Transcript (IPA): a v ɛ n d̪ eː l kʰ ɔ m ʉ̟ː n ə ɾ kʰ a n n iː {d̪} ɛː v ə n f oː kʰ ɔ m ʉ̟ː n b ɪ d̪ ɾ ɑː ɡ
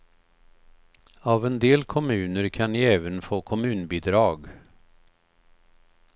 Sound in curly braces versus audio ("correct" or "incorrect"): incorrect